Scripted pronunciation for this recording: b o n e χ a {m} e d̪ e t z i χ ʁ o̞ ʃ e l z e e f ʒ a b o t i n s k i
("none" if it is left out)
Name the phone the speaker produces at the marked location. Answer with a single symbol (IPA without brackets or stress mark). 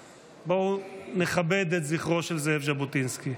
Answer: b